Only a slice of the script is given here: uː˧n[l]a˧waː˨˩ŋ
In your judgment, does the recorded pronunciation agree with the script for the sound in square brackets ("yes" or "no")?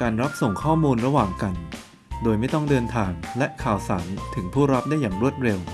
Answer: no